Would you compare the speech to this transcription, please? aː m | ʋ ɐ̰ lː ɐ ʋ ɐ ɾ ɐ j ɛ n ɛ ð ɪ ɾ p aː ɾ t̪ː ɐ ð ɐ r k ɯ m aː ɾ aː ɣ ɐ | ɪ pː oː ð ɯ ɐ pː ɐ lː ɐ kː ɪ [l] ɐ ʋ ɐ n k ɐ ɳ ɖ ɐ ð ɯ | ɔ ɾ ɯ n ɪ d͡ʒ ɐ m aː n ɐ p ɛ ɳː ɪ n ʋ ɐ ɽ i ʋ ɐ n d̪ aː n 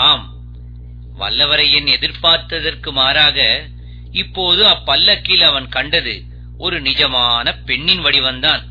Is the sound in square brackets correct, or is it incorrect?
correct